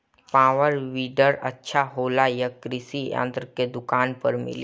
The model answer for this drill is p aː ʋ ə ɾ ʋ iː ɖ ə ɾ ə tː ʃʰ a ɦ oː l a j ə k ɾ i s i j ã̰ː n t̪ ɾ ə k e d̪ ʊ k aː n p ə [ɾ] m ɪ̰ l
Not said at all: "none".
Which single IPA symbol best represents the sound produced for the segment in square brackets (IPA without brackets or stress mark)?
ɾ